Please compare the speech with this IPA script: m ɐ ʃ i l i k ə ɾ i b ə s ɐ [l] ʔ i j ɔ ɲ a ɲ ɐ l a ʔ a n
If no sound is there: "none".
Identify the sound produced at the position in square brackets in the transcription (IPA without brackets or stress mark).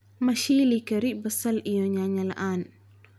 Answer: l